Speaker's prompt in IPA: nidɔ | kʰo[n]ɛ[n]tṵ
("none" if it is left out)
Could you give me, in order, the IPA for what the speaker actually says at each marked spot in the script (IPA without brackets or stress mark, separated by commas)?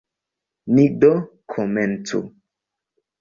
m, n